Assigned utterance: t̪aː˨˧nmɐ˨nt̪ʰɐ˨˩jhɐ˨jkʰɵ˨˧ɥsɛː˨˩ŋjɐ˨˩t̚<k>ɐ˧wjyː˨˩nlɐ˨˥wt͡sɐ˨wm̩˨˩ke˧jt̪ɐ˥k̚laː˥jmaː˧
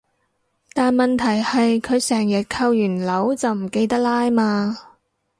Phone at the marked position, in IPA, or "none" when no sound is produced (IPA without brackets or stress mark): kʰ